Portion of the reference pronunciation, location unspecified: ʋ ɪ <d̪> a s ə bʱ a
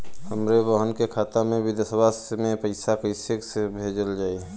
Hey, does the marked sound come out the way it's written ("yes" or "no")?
yes